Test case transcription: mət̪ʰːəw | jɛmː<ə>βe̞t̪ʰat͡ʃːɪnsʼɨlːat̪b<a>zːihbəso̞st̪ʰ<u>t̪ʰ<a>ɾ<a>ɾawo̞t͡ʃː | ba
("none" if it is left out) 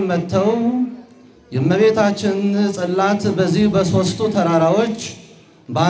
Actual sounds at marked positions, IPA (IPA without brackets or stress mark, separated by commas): ə, ə, u, ə, a